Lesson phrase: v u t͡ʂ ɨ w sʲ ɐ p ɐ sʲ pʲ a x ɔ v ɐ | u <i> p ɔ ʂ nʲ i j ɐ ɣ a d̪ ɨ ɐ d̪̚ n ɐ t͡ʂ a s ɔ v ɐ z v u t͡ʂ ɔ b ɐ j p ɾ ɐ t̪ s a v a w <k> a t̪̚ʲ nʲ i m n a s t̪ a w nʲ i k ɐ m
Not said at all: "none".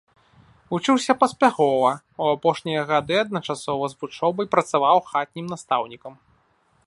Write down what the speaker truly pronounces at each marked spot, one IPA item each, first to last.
a, x

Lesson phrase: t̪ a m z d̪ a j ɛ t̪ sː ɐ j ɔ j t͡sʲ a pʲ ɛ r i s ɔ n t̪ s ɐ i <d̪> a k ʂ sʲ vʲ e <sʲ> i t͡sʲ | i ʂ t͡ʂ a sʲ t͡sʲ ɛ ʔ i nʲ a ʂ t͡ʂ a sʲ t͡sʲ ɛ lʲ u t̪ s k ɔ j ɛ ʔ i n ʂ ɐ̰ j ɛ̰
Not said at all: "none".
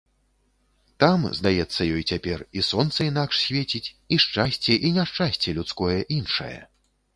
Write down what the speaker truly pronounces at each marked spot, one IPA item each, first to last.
n̪, t͡sʲ

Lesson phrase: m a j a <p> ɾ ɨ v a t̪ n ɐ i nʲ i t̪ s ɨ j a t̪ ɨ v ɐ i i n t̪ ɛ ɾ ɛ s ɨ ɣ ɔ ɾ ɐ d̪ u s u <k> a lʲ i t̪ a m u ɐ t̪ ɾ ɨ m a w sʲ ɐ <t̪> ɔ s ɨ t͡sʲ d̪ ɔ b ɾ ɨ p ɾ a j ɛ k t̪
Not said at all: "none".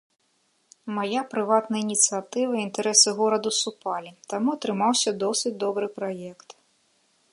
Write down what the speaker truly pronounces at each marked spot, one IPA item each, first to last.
p, p, d̪

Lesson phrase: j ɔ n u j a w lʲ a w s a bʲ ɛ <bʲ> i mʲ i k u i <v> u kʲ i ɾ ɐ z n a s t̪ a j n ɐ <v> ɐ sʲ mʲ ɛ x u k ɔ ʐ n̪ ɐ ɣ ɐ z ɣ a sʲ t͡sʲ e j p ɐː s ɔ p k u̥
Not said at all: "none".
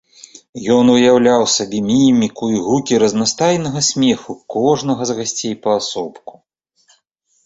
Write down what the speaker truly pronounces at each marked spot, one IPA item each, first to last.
mʲ, ɣ, ɣ

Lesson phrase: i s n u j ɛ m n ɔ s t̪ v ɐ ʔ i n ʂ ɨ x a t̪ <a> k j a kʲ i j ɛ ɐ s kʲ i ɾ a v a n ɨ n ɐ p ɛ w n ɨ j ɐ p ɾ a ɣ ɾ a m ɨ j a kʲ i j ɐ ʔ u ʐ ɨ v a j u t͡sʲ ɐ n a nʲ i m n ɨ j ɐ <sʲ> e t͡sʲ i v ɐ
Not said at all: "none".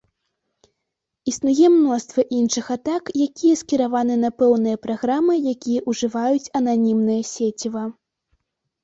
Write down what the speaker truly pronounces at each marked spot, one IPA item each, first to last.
a, sʲ

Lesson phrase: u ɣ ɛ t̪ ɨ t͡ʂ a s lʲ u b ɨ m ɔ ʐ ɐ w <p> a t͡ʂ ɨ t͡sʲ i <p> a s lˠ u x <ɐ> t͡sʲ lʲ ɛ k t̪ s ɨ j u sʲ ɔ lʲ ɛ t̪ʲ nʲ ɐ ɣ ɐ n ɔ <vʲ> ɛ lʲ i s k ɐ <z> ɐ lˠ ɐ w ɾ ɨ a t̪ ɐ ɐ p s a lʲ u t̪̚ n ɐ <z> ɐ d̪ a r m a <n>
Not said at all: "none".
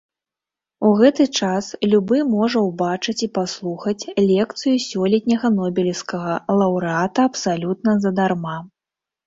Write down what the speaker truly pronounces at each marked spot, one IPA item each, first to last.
b, p, ɐ, bʲ, ɣ, z, none

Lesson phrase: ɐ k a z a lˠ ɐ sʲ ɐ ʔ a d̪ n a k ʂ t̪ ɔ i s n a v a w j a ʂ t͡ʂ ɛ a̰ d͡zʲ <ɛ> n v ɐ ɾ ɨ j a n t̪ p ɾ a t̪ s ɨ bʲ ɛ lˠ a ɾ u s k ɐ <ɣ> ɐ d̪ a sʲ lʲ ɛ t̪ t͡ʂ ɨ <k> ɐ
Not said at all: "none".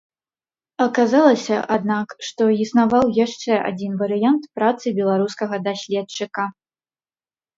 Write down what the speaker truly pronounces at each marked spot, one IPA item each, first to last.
i, ɣ, k

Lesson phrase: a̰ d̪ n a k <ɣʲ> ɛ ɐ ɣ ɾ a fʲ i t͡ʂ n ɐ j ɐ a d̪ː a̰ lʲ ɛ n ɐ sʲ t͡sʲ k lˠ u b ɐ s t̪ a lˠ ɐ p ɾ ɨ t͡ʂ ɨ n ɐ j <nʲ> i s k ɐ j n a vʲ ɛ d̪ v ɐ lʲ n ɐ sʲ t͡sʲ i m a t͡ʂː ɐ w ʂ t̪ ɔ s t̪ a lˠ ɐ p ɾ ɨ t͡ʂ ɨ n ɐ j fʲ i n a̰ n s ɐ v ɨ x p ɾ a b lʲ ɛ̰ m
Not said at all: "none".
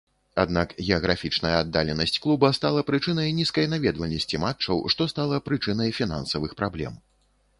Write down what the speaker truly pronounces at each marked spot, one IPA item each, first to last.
ɣʲ, nʲ

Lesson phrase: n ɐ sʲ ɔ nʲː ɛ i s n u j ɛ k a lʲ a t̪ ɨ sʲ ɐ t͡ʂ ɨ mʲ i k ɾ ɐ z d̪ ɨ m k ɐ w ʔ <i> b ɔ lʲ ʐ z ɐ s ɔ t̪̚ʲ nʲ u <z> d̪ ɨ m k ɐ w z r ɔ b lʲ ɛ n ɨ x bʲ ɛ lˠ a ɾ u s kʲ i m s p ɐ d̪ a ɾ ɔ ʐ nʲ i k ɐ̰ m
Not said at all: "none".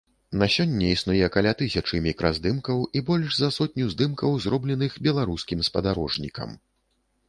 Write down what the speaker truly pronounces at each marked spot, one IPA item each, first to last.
i, z

